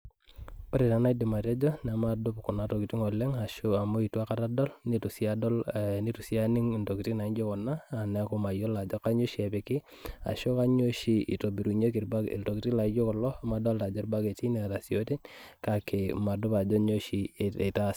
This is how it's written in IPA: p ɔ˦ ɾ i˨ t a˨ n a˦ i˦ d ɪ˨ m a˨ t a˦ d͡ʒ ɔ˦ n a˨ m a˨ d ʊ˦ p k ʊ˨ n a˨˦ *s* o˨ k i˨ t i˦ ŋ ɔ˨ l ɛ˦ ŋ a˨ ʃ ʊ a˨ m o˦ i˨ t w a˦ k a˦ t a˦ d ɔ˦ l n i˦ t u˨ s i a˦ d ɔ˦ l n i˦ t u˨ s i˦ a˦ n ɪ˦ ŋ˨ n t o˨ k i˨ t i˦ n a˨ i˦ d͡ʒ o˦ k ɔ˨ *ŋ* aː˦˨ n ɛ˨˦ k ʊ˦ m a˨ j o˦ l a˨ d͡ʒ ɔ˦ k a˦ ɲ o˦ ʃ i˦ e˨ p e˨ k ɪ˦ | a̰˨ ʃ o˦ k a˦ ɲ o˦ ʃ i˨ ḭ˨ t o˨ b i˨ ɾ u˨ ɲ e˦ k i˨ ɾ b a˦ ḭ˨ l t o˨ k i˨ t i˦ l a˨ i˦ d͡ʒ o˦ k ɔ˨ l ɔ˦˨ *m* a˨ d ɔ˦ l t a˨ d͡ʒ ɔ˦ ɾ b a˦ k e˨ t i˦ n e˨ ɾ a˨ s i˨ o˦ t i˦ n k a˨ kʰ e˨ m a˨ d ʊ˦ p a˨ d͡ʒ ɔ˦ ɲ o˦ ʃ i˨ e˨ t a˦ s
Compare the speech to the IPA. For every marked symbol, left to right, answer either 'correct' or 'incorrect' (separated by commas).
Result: incorrect, incorrect, correct